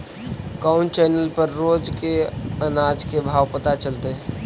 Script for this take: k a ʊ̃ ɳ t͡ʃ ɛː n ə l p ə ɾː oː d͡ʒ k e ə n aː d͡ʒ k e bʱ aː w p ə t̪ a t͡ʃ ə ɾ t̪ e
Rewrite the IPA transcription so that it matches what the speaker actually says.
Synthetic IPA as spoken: k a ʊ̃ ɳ t͡ʃ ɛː n ə l p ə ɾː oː d͡ʒ k e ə n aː d͡ʒ k e bʱ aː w p ə t̪ a t͡ʃ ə l t̪ e